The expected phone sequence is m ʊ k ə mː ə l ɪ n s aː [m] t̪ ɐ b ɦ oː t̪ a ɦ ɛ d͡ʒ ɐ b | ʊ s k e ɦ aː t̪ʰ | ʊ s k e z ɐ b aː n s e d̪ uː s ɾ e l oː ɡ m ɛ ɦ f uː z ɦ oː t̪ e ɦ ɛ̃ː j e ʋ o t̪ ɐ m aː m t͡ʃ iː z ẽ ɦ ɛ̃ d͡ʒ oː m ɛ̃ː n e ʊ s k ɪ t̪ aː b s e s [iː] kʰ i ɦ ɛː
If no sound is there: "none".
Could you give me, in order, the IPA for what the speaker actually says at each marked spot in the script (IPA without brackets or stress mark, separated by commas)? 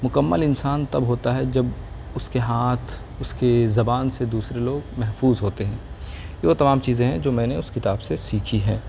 n, iː